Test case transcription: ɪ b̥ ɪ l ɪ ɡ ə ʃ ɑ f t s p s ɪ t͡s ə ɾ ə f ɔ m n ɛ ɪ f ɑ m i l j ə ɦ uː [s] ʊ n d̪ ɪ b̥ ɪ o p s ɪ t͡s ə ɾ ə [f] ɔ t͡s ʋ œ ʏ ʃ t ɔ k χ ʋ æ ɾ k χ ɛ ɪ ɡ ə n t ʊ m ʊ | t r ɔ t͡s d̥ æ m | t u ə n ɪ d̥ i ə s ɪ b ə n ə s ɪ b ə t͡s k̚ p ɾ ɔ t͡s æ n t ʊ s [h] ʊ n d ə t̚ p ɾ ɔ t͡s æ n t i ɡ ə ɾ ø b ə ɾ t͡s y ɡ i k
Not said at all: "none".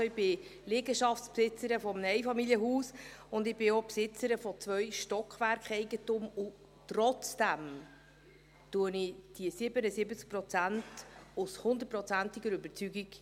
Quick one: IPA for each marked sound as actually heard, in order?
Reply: s, f, h

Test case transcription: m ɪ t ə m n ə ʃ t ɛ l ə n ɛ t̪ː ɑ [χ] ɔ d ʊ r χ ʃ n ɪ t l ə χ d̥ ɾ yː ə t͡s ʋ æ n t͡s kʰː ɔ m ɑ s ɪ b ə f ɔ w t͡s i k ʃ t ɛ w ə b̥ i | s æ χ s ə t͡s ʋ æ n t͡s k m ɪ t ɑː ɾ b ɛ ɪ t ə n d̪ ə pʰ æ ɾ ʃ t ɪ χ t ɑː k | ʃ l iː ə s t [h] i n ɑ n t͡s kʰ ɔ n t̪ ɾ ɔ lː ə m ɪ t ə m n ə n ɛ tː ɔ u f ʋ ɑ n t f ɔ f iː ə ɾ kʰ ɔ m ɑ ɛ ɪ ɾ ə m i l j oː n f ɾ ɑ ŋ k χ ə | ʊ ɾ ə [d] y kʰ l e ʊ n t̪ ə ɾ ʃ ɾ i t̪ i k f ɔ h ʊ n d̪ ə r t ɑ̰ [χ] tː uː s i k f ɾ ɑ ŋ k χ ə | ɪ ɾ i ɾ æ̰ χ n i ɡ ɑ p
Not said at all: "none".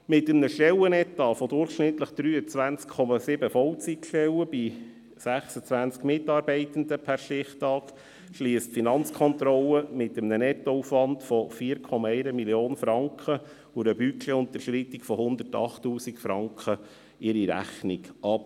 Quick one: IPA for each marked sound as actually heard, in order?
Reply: f, f, b, χ

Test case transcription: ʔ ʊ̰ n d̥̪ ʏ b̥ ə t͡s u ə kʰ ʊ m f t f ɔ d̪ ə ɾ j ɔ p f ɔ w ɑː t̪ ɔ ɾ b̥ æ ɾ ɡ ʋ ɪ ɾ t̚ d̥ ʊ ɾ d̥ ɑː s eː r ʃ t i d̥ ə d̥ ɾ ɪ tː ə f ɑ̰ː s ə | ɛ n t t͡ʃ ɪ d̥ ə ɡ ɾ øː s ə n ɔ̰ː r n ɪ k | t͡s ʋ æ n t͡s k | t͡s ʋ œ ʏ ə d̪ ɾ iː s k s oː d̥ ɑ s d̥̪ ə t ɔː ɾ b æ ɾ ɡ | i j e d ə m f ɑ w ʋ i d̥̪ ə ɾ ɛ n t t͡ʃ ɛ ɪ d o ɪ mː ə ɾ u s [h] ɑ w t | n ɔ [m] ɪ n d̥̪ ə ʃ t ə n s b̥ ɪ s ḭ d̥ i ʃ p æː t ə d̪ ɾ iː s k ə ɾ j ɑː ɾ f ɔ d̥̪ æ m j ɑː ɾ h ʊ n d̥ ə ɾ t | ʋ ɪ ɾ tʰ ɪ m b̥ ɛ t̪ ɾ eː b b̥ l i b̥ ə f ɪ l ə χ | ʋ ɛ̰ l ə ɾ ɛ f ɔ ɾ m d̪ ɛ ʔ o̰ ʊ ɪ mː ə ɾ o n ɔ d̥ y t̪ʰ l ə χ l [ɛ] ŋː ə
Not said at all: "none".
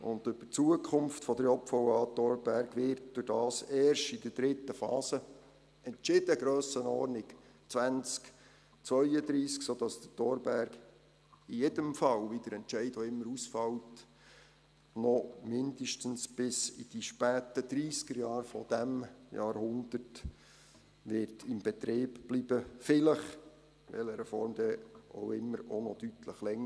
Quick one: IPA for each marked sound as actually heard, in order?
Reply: f, m, ɛ

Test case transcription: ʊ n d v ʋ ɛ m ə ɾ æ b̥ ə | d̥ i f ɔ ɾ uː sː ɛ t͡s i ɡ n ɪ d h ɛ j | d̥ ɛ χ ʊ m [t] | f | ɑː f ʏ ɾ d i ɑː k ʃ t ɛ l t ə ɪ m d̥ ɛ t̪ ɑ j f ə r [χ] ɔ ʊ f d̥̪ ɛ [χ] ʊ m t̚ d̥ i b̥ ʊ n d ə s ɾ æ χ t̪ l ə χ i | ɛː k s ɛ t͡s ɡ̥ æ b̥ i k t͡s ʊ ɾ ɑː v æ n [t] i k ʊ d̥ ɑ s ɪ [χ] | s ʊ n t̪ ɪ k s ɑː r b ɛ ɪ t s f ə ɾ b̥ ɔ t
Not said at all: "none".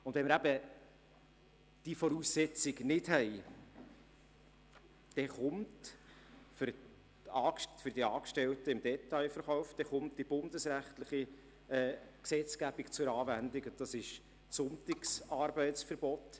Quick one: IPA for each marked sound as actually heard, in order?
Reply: t, χ, χ, d, ʃ

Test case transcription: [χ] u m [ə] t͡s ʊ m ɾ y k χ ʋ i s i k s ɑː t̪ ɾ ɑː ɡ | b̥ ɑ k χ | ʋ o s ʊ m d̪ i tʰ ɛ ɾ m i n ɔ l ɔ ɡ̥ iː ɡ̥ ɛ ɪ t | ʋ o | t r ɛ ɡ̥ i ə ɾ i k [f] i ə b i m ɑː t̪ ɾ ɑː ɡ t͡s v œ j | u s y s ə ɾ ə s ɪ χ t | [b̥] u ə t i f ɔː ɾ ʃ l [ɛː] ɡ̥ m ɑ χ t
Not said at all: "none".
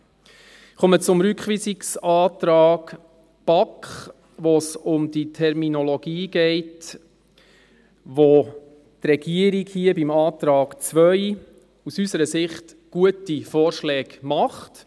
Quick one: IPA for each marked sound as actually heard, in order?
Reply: χ, ə, h, ɡ̥, ɛː

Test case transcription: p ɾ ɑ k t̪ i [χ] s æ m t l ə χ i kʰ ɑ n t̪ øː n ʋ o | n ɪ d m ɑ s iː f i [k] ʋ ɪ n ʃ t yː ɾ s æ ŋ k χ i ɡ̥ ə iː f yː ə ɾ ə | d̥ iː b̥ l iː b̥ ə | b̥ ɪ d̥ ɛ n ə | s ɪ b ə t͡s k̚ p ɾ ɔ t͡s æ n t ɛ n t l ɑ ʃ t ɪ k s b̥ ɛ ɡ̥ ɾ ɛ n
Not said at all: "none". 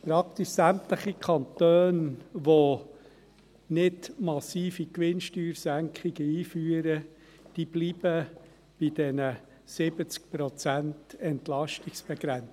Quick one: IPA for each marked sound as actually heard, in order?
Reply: ʃ, k

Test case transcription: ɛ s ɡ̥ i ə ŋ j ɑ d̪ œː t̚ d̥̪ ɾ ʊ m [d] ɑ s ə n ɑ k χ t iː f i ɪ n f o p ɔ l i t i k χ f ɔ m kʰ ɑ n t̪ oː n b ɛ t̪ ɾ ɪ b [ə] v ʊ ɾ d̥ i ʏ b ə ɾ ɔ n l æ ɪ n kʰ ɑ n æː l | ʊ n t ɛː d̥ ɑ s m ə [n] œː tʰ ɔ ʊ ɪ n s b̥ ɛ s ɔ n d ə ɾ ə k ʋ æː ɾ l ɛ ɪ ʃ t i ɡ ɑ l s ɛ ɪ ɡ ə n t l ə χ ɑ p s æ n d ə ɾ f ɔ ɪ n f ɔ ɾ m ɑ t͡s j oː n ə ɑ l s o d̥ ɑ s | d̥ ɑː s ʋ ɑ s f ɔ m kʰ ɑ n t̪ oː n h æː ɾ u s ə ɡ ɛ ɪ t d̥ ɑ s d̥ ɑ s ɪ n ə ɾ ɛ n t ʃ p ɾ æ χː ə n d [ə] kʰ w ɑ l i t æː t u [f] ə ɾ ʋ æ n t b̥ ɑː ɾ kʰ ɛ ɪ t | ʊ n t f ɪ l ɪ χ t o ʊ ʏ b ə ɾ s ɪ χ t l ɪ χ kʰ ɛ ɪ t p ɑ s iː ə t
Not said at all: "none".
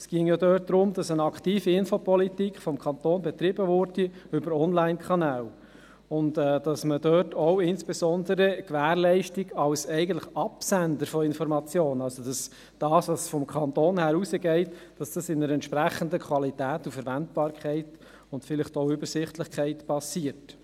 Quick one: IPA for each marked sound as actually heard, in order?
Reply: d, ə, d, ə, f

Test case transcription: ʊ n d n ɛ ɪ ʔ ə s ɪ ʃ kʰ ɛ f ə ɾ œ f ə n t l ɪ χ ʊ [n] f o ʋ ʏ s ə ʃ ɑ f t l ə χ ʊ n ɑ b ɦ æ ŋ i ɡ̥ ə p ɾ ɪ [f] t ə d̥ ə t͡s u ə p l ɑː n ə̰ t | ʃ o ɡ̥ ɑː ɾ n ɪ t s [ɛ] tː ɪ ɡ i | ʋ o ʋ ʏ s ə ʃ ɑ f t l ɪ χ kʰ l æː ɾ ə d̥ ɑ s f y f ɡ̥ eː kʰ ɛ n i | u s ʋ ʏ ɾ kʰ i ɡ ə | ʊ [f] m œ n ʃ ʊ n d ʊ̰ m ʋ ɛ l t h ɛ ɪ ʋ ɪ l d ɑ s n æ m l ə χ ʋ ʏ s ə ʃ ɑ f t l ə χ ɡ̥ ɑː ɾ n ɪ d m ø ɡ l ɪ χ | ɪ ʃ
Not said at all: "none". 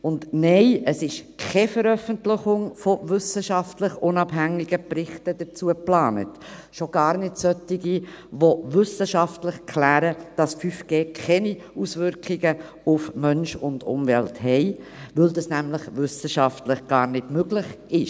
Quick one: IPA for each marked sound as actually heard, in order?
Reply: ŋ, χ, œ, f

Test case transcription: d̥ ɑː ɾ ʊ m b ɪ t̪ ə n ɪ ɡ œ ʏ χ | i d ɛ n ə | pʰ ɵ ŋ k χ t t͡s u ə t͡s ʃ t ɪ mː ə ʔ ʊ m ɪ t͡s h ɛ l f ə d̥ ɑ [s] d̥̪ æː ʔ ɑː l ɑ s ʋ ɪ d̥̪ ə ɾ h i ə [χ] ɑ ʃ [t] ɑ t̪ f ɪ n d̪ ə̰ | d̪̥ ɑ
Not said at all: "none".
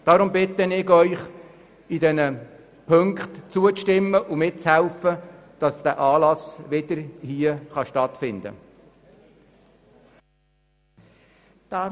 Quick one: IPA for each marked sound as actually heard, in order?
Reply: s, χ, t

